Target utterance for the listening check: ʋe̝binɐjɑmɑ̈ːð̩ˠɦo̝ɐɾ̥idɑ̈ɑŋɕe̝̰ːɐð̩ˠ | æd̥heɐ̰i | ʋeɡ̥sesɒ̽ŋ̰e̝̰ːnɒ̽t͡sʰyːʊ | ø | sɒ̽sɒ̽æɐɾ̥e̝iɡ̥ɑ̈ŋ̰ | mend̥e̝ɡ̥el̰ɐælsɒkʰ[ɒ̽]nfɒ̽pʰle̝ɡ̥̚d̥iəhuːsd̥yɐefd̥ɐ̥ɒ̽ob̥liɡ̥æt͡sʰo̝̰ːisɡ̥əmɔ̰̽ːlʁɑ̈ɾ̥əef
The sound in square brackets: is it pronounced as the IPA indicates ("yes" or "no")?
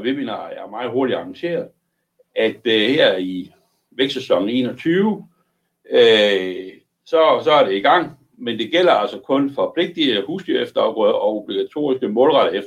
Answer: no